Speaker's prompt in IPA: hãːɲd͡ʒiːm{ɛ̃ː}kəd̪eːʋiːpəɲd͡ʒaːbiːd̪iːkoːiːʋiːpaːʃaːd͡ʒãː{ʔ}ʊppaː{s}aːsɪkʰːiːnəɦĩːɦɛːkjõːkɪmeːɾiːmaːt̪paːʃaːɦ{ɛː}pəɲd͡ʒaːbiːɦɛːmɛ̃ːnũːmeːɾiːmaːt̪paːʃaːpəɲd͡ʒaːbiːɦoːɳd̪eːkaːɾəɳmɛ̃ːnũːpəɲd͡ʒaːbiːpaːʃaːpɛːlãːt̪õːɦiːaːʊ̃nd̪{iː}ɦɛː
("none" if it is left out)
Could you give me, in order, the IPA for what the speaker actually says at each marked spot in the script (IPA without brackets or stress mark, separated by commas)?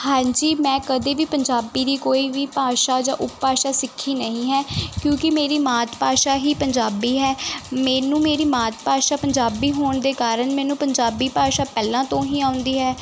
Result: ɛ̃ː, ʔ, ʃ, iː, iː